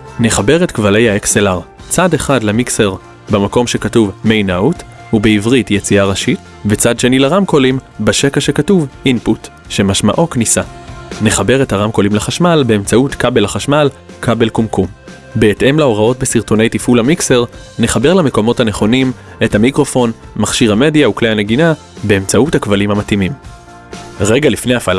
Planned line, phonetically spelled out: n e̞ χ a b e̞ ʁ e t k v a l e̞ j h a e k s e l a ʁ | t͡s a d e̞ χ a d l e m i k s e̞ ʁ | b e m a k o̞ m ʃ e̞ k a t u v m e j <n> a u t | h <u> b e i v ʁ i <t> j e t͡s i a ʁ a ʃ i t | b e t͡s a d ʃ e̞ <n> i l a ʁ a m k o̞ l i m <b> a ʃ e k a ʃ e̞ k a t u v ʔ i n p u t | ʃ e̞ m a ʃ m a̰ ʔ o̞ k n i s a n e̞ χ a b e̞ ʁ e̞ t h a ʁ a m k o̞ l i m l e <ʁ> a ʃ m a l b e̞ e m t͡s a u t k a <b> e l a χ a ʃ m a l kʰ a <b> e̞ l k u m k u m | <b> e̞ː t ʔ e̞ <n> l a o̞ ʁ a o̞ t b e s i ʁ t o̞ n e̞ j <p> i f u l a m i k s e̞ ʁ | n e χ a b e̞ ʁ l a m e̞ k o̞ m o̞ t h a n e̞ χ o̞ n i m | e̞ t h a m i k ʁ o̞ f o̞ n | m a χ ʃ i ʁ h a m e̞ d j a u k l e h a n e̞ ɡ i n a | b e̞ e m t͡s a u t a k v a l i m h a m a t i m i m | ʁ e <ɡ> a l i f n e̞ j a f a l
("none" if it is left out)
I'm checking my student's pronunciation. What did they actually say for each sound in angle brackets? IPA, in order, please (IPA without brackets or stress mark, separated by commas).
n, u, t, n, b, χ, b, b, b, m, t, ɡ